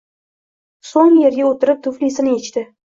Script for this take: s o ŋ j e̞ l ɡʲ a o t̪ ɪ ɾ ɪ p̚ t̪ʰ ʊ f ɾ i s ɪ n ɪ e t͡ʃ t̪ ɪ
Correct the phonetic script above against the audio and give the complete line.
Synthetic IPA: s o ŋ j e̞ ɾ ɡʲ a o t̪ ɪ ɾ ɪ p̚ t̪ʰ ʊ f l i s ɪ n ɪ e t͡ʃ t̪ ɪ